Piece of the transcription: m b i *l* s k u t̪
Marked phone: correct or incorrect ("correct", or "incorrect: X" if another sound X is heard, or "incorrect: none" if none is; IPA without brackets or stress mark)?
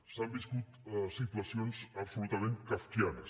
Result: incorrect: none